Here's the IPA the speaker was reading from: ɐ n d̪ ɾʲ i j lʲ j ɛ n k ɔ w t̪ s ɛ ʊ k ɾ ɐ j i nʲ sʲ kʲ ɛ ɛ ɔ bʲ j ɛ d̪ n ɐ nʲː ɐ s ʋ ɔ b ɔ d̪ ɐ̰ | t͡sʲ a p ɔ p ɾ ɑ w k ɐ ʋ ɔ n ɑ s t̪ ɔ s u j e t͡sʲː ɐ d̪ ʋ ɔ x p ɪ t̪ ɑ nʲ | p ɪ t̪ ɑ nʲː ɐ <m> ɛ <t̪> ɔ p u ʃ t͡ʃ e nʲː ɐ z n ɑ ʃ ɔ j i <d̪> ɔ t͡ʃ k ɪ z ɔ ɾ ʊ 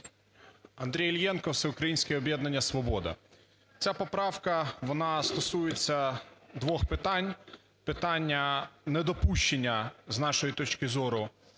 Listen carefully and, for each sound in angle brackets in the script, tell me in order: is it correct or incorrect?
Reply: incorrect: n, incorrect: d̪, incorrect: t̪

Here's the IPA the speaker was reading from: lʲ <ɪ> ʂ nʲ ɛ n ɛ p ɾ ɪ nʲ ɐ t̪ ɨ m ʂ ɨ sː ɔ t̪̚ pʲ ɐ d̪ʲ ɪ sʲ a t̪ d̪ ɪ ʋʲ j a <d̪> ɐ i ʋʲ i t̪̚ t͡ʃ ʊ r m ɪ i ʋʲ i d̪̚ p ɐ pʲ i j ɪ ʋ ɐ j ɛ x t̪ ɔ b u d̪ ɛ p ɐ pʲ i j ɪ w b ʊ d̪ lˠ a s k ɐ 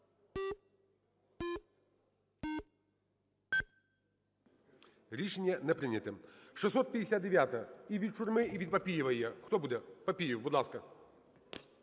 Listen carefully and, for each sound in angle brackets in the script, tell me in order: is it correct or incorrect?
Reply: incorrect: i, incorrect: t̪

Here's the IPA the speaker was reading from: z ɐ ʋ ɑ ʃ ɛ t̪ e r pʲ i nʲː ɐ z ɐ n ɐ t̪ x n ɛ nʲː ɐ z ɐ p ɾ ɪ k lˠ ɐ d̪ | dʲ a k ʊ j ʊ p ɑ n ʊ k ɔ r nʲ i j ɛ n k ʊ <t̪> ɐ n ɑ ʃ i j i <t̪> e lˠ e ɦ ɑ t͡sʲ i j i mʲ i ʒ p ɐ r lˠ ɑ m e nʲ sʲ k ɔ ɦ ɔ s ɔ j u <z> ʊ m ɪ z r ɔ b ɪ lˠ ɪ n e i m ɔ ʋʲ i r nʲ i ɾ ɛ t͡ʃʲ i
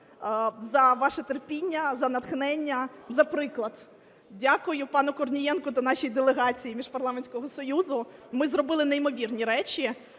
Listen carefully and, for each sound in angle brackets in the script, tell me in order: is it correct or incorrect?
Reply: correct, incorrect: d̪, correct

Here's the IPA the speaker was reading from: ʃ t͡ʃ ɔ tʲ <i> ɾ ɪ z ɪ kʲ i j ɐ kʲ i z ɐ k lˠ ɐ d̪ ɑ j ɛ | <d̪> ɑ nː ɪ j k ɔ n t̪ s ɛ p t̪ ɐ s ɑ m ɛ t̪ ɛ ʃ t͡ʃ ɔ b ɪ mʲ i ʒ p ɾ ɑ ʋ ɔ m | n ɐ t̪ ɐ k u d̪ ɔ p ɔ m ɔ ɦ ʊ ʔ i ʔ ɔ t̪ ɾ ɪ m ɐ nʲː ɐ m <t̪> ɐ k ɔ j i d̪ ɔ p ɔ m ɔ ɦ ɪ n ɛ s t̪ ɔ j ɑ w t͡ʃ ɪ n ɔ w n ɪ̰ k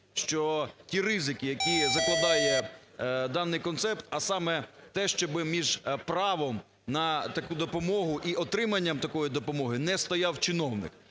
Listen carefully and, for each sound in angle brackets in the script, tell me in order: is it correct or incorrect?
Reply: correct, correct, correct

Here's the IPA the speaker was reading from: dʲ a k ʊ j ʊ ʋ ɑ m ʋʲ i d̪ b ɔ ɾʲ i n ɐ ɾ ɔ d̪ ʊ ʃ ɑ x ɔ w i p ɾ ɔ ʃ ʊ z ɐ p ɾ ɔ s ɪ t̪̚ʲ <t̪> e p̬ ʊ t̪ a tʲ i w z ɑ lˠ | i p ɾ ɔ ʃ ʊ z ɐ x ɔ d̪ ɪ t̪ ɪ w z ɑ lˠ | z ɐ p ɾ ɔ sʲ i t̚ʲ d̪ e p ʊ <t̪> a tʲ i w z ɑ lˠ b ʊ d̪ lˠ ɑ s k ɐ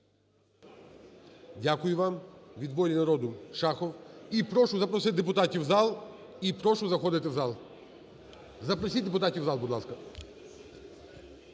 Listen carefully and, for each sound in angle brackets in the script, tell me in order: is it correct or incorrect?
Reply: incorrect: d̪, correct

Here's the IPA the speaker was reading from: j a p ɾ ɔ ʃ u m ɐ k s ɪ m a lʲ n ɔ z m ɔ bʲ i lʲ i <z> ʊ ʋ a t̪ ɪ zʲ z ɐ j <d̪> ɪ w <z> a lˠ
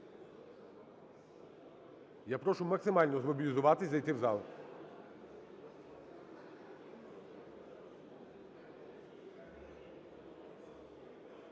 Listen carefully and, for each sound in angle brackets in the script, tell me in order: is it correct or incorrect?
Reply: correct, incorrect: t̪, correct

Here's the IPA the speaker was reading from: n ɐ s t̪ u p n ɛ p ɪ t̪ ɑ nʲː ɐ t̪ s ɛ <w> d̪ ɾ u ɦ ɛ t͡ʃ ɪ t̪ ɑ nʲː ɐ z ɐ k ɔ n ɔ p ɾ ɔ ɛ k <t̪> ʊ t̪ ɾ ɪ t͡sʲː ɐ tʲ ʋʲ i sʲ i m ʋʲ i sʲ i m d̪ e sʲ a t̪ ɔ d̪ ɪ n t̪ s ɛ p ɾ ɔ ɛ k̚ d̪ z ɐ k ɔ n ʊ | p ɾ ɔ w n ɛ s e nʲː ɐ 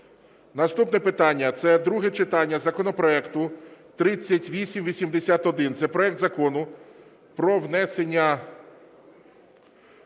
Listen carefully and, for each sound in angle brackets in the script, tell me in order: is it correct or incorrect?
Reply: incorrect: none, correct

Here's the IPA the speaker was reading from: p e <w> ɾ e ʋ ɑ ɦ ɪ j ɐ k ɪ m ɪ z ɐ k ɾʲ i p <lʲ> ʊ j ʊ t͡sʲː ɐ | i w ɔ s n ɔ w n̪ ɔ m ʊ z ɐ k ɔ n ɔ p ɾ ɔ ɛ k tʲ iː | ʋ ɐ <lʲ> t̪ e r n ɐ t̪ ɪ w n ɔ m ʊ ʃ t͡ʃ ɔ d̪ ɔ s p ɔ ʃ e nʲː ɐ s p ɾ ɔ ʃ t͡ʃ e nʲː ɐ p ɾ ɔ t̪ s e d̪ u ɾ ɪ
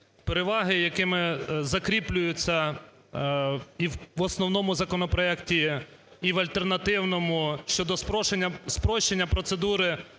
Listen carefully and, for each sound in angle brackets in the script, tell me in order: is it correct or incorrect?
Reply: incorrect: none, correct, correct

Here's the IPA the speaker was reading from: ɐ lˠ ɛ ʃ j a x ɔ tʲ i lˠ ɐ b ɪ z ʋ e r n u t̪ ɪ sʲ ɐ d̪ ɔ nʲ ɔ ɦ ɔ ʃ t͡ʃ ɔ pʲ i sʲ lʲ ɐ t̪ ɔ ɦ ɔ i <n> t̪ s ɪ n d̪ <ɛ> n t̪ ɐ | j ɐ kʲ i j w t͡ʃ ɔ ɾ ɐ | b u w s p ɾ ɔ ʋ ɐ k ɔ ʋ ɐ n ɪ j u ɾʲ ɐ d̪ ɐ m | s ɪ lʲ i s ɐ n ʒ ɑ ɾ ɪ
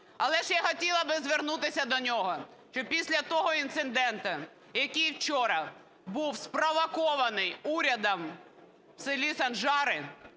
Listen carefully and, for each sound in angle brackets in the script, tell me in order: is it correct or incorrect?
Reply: correct, correct

